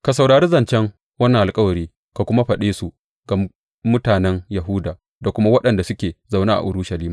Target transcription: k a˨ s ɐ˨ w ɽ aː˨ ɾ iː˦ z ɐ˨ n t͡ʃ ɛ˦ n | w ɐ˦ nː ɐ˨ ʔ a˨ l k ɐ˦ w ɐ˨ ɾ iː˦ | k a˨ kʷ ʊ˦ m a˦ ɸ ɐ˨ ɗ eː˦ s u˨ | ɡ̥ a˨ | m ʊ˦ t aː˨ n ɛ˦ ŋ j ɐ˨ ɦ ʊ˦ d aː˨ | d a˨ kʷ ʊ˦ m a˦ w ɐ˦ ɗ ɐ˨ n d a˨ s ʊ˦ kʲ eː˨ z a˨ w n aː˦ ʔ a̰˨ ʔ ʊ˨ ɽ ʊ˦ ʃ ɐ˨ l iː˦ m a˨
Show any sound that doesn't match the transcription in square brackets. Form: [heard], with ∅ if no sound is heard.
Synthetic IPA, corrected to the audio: k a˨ s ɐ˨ w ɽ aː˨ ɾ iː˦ z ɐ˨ n t͡ʃ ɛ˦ [ŋ] | w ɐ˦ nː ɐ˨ ʔ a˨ l [kʼ] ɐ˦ w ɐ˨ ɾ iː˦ | k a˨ kʷ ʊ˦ m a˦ ɸ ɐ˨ ɗ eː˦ s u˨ | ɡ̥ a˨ | m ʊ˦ t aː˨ n ɛ˦ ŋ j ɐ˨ ɦ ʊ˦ d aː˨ | d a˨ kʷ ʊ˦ m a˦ w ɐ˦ ɗ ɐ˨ n d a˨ s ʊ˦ kʲ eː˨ z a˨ w n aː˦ ʔ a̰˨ ʔ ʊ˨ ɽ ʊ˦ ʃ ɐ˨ l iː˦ m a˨